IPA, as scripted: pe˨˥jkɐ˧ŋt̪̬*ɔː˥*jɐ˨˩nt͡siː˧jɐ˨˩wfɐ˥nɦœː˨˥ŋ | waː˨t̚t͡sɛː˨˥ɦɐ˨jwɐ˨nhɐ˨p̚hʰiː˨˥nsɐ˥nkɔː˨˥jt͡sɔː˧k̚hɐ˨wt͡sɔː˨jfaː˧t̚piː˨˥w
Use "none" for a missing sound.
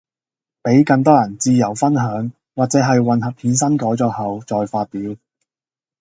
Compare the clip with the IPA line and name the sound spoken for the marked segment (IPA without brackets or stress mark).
ɔː˥